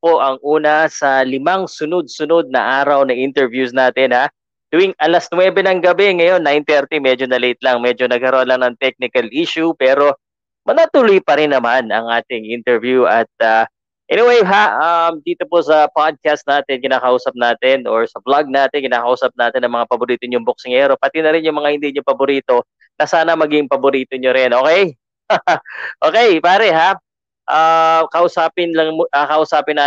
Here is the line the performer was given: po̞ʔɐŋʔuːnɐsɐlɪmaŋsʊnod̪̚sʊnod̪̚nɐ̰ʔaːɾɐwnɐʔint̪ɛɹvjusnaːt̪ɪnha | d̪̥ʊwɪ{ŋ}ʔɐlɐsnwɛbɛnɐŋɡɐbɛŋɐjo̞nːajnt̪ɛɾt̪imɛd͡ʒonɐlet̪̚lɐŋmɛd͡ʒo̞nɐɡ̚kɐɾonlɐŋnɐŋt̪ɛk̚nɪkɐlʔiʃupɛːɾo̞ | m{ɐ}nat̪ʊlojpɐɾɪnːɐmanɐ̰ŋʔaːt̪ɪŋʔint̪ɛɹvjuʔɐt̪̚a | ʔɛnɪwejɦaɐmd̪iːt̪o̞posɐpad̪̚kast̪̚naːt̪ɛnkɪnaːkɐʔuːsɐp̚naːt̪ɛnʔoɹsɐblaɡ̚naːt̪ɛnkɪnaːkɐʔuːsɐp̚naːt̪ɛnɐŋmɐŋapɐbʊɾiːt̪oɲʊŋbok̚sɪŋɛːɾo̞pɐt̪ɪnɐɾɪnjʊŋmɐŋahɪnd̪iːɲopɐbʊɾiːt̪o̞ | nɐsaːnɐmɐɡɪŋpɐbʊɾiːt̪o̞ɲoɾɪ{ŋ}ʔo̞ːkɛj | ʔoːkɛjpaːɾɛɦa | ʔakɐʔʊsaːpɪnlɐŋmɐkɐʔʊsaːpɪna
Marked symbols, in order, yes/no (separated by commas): yes, yes, no